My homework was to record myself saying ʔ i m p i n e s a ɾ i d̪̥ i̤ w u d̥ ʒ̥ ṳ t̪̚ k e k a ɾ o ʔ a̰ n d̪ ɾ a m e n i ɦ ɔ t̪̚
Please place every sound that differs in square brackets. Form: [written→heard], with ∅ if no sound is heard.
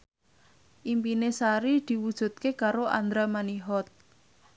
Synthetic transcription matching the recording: ʔ i m p i n e s a ɾ i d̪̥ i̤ w u d̥ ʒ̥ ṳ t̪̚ k e k a ɾ o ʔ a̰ n d̪ ɾ a m [e→a] n i ɦ ɔ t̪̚